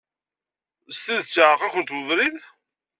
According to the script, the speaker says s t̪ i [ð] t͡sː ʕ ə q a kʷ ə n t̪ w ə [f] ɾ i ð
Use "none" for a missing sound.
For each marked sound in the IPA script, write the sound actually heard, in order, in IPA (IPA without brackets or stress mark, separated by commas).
ð, v